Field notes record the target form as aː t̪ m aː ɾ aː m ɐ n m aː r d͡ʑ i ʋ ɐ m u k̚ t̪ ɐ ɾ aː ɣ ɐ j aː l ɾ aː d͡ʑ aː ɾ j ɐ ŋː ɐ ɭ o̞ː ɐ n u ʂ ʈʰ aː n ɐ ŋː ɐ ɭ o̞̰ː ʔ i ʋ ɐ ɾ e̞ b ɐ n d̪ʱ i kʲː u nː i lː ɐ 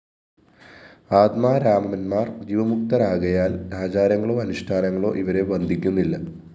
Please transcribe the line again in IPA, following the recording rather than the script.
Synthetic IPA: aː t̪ m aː ɾ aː m ɐ n m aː r d͡ʑ i ʋ ɐ m u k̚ t̪ ɐ ɾ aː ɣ ɐ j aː l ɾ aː d͡ʑ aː ɾ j ɐ ŋː ɐ ɭ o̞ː ɐ n u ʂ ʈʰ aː n ɐ ŋː ɐ ɭ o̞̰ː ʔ i ʋ ɐ ɾ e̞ b ɐ n d̪ʱ i kʲː u nː i lː ɐ